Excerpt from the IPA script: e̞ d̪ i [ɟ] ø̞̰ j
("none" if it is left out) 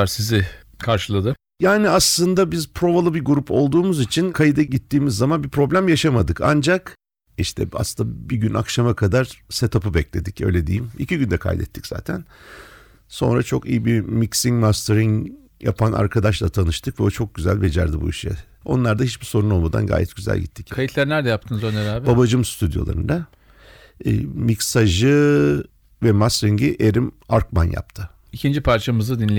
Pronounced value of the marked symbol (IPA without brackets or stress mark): c